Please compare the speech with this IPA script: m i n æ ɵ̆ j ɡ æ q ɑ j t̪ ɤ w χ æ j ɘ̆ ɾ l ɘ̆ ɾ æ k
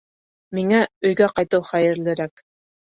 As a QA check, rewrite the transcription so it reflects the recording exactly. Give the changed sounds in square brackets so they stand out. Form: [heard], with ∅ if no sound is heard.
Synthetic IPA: m i [ŋ] æ ɵ̆ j ɡ æ q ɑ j t̪ ɤ w χ æ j ɘ̆ ɾ l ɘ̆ ɾ æ k